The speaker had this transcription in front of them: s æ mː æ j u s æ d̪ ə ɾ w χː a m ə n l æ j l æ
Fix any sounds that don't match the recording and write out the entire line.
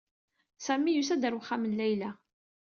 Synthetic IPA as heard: s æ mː i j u s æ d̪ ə ɾ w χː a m ə n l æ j l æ